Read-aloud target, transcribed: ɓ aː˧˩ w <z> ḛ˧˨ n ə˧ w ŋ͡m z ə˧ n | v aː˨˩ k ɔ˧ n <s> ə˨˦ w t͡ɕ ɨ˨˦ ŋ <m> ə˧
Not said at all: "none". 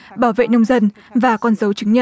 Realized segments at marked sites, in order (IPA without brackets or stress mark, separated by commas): v, z, ɲ